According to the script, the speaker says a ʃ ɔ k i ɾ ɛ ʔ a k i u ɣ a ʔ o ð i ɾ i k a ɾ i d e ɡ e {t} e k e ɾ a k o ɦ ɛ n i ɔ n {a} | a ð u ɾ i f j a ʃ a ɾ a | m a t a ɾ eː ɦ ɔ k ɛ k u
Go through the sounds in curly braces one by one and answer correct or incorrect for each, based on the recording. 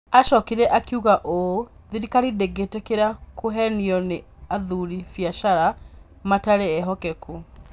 correct, incorrect: e

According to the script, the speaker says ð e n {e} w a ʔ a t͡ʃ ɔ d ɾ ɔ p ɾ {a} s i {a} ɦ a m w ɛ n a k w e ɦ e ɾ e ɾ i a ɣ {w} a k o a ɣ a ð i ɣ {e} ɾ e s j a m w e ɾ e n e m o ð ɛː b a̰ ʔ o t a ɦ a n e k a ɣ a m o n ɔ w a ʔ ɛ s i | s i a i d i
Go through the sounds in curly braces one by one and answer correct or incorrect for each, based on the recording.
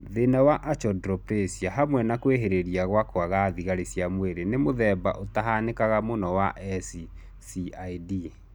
incorrect: a, incorrect: e, correct, correct, incorrect: a

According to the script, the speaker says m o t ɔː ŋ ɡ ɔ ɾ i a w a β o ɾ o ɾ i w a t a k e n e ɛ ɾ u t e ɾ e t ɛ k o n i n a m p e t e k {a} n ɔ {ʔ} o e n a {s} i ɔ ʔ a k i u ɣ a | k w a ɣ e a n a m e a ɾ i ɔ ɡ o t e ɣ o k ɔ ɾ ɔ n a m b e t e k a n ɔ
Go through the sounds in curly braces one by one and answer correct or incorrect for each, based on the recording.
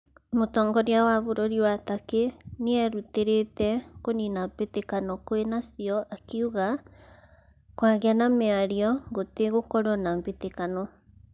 correct, incorrect: k, correct

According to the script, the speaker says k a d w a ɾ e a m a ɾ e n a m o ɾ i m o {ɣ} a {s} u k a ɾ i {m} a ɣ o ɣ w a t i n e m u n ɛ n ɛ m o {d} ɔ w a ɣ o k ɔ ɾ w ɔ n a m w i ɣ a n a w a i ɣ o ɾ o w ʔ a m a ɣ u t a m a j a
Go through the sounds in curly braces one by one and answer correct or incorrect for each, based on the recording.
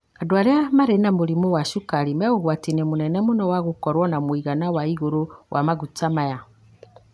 incorrect: w, incorrect: ʃ, correct, incorrect: n

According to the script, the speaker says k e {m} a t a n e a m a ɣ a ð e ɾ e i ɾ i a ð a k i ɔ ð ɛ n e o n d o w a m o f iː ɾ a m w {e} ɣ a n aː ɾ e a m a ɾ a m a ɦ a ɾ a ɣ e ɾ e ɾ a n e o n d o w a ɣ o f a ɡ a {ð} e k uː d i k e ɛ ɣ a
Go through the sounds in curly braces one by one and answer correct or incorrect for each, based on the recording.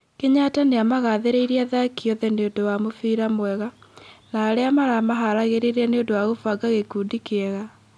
incorrect: ɲ, incorrect: ɛ, incorrect: ɣ

